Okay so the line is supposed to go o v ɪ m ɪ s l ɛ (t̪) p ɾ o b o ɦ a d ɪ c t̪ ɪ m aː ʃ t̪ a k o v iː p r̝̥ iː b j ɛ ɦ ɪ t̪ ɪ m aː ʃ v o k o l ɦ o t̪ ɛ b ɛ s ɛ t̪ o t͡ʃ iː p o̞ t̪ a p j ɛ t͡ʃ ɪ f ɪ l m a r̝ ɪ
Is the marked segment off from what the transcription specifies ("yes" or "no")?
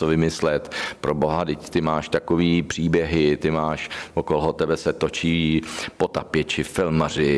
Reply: no